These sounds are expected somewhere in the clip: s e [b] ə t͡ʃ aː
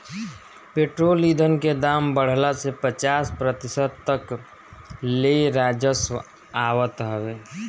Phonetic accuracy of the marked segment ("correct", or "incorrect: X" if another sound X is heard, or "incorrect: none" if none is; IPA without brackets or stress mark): incorrect: p